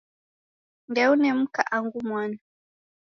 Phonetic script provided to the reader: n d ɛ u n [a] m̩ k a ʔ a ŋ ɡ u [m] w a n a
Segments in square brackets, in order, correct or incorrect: incorrect, correct

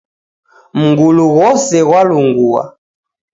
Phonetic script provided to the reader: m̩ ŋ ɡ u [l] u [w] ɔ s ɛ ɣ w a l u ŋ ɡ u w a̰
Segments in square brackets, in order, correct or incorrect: correct, incorrect

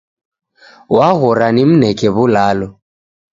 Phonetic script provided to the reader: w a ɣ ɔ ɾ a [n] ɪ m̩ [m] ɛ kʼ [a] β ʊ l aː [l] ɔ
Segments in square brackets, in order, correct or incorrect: correct, incorrect, incorrect, correct

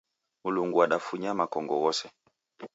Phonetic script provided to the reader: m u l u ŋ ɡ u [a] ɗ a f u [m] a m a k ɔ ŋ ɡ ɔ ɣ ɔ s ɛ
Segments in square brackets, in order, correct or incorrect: correct, incorrect

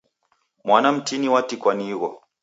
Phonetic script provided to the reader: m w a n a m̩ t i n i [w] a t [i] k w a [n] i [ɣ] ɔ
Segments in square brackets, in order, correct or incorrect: correct, correct, correct, correct

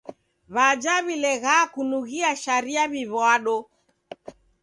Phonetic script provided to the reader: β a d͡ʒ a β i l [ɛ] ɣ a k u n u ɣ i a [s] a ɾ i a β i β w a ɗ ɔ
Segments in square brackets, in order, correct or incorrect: correct, incorrect

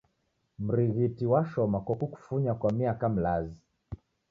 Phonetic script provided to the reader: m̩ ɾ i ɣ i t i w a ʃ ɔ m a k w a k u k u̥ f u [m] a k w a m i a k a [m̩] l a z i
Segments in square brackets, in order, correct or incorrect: incorrect, correct

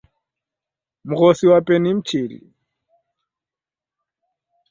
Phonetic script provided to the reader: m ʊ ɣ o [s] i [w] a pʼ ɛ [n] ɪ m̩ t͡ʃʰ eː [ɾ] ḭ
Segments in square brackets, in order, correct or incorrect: correct, correct, correct, incorrect

